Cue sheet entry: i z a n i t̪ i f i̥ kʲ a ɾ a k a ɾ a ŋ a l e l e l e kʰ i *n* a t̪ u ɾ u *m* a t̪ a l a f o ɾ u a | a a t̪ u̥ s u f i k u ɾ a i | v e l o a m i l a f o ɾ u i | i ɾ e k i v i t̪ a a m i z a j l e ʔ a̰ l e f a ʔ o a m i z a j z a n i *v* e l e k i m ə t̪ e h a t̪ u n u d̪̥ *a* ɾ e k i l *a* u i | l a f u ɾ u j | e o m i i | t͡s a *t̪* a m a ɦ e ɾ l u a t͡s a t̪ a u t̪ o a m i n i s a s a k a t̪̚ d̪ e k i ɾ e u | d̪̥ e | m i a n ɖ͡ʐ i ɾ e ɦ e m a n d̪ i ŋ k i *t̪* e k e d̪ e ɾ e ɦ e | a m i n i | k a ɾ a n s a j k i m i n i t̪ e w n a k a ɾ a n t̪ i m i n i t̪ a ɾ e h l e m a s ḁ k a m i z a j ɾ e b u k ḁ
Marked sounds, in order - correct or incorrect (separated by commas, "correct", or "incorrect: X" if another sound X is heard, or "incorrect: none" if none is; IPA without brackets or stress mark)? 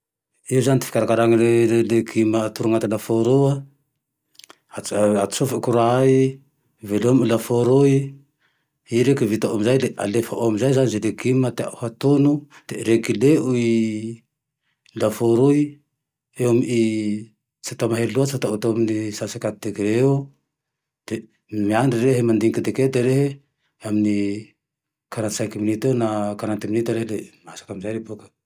incorrect: m, incorrect: ŋ, incorrect: z, incorrect: e, incorrect: e, correct, incorrect: d̪